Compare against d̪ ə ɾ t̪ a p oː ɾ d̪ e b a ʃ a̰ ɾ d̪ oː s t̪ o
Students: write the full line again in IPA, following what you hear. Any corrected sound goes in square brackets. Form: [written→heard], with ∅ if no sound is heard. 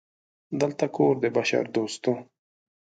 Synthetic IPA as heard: d̪ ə [ɾ→l] t̪ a [p→k] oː ɾ d̪ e b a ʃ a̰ ɾ d̪ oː s t̪ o

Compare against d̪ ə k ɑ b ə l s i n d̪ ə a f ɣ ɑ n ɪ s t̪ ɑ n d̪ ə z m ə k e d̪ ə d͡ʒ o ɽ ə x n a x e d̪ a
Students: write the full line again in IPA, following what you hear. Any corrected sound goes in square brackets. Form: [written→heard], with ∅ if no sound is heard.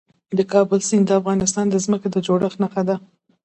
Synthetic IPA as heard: d̪ ə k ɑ b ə l s i n d̪ ə a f ɣ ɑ n ɪ s t̪ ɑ n d̪ ə z m ə k e d̪ ə d͡ʒ o ɽ ə x n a x [e→a] d̪ a

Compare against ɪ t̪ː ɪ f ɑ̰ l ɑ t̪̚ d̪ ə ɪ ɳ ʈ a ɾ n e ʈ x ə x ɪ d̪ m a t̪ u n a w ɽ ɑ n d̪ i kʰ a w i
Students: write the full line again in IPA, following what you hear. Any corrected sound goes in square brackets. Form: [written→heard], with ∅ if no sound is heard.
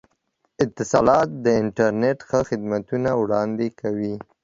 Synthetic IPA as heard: ɪ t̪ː ɪ [f→s] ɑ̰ l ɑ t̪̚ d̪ ə ɪ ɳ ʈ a ɾ n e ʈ x ə x ɪ d̪ m a t̪ u n a w ɽ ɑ n d̪ [i→e] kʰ a w i

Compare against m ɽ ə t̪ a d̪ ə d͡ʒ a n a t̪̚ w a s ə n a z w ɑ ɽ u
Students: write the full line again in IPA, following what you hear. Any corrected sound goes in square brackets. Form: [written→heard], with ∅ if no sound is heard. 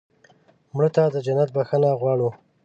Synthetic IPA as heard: m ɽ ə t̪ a d̪ ə d͡ʒ a n a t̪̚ [w→b] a [s→x] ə n a [z→ɣ] w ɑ ɽ u

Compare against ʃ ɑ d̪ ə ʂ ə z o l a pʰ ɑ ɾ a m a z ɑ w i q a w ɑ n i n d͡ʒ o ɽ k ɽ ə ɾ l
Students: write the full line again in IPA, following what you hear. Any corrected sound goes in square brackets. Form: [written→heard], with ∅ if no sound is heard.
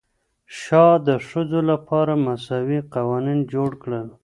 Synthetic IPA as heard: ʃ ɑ d̪ ə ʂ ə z o l a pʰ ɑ ɾ a m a [z→s] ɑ w i q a w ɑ n i n d͡ʒ o ɽ k ɽ ə [ɾ→∅] l

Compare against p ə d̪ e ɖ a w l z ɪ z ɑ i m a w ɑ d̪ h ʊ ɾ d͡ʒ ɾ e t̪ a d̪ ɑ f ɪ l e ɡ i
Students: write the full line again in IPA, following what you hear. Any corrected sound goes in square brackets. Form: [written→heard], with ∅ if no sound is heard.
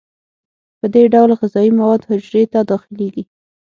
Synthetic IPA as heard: p ə d̪ e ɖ a w l [z→ɣ] ɪ z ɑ i m a w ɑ d̪ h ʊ [ɾ→∅] d͡ʒ ɾ e t̪ a d̪ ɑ [f→x] ɪ l e ɡ i

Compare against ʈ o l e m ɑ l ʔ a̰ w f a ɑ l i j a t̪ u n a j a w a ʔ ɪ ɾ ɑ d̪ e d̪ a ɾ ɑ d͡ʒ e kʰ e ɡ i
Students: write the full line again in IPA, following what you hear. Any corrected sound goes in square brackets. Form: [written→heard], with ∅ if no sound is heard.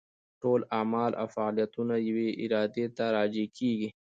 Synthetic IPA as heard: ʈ o l [e→a] m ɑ l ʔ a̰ w f a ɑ l i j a t̪ u n a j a w [a→e] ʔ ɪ ɾ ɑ d̪ e [d̪→t̪] a ɾ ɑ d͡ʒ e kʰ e ɡ i

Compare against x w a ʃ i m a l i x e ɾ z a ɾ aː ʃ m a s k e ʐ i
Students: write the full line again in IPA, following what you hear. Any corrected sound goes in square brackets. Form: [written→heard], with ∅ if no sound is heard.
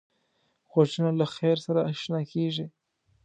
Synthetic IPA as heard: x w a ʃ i [m→n] a l [i→a] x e ɾ [z→s] a ɾ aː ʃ [m→n] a [s→∅] k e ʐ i

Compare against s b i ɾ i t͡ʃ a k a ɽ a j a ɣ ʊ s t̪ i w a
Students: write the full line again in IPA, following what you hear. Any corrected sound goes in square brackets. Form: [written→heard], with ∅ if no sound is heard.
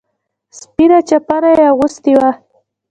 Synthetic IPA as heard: s [b→p] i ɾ [i→a] t͡ʃ a [k→p] a [ɽ→ɾ] a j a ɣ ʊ s t̪ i w a

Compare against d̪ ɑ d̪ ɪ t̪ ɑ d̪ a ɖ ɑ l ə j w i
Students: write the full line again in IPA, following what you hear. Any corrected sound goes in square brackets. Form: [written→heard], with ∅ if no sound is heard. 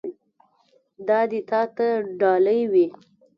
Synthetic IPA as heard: d̪ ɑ d̪ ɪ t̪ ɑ [d̪→t̪] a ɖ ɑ l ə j w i

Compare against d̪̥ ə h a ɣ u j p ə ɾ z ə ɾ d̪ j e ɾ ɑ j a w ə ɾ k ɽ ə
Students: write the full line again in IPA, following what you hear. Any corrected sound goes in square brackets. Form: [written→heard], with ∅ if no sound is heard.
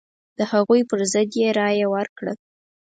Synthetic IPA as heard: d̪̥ ə h a ɣ u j p ə ɾ z ə [ɾ→∅] d̪ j e ɾ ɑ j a w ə ɾ k ɽ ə

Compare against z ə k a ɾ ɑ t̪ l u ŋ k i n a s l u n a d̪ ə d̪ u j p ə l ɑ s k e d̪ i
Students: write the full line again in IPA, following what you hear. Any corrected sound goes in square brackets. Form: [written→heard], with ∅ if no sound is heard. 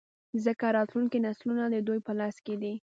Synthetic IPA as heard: z ə k a ɾ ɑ t̪ l u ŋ k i n a s l u n a d̪ ə d̪ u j p ə l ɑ s k e d̪ i

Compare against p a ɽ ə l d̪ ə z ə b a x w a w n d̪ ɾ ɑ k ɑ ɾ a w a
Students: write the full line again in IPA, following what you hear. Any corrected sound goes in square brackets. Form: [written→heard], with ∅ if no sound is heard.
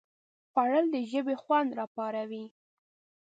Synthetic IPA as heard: p a ɽ ə l d̪ ə [z→ʒ] ə b [a→e] x w a [w→∅] n d̪ ɾ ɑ [k→p] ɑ ɾ a w [a→i]

